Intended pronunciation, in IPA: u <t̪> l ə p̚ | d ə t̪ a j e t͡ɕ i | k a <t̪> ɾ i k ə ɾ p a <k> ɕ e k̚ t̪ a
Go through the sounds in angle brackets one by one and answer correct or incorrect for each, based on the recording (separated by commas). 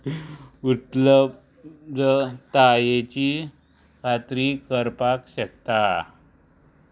correct, correct, correct